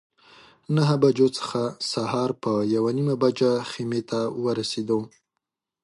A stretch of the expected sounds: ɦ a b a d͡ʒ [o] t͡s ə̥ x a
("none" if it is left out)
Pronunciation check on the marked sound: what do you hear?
o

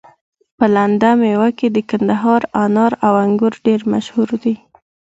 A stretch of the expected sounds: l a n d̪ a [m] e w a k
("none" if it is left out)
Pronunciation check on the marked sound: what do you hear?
m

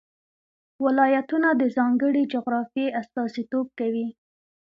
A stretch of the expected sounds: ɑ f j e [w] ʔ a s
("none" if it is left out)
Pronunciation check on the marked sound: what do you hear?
none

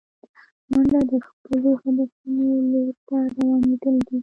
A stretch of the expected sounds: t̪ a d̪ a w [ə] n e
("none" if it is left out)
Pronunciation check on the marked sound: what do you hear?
ɑ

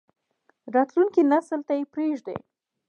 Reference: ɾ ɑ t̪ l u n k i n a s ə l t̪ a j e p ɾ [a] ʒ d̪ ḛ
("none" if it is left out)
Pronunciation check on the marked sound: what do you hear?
e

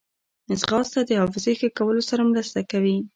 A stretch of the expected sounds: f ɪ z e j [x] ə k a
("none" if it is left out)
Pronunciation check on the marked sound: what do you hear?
x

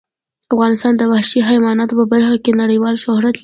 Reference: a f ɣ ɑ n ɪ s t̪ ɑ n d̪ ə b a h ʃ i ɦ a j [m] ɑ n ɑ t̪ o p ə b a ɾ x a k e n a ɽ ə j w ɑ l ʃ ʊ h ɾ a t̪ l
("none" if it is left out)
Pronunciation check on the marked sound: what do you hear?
m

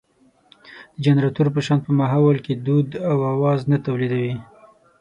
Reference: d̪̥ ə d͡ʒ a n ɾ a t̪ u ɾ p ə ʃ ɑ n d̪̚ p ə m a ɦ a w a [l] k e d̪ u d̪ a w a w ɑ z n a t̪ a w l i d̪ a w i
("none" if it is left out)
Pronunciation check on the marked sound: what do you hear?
l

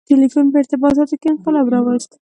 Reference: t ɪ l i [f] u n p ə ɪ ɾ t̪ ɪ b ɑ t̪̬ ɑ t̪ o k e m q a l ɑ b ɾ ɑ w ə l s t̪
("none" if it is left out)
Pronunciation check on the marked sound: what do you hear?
f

